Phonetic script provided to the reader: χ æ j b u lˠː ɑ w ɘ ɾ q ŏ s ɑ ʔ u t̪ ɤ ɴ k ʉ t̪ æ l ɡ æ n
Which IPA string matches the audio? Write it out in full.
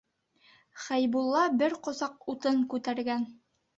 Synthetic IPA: χ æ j b u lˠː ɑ b ɘ ɾ q ŏ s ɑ q u t̪ ɤ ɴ k ʉ t̪ æ ɾ ɡ æ n